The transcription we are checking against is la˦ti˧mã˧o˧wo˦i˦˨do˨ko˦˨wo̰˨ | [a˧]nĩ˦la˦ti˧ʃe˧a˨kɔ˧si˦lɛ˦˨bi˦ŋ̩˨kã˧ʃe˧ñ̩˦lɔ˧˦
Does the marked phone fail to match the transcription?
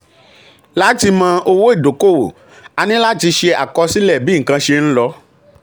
no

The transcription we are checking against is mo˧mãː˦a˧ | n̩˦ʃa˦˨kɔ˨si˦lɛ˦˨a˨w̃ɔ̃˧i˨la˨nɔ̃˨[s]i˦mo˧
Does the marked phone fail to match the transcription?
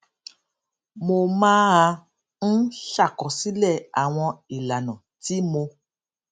yes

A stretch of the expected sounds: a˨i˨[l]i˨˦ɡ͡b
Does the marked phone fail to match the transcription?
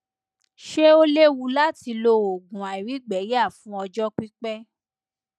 yes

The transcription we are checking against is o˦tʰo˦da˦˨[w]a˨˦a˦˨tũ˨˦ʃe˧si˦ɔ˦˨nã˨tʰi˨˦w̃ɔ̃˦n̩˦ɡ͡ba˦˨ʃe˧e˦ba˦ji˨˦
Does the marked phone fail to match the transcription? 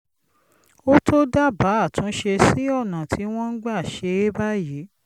yes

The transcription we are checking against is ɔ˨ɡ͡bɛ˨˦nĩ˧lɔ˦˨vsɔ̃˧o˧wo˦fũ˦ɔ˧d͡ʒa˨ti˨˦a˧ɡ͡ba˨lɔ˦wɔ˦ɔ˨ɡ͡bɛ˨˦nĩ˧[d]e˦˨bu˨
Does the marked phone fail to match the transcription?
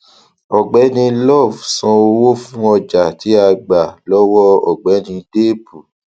no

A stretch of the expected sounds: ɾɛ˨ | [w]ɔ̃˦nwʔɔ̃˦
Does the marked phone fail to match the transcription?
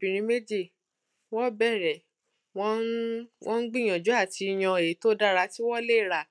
no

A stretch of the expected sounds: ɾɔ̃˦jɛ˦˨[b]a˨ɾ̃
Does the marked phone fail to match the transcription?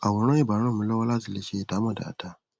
no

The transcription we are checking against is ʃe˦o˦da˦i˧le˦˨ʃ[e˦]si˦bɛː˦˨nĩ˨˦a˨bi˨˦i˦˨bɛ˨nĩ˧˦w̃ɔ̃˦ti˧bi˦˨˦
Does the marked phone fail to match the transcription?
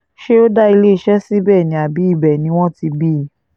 yes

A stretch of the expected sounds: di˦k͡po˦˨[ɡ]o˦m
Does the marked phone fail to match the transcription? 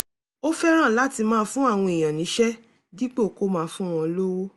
yes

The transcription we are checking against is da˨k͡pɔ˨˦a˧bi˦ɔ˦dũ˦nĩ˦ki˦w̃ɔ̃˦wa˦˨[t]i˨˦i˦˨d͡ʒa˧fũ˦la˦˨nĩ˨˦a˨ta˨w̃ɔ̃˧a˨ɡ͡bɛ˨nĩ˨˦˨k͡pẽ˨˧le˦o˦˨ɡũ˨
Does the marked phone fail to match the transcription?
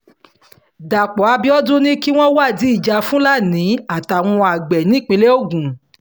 yes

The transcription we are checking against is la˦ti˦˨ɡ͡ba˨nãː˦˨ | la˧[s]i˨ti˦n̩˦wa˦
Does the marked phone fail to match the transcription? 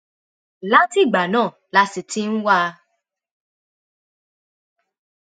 no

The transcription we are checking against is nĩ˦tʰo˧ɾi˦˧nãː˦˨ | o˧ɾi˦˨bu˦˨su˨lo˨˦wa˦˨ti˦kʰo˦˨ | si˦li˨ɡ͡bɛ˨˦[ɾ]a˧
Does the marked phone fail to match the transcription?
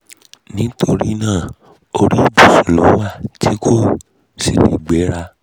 no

